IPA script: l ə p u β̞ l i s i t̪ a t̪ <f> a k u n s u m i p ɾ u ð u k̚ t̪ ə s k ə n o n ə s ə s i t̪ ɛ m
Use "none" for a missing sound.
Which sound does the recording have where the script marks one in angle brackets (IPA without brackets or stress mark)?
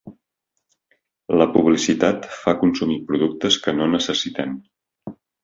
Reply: f